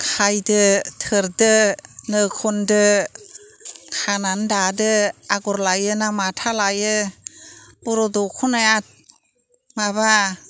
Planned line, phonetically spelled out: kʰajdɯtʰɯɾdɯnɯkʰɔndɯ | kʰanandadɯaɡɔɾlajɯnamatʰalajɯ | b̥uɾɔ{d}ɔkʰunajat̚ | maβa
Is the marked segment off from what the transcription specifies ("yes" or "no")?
no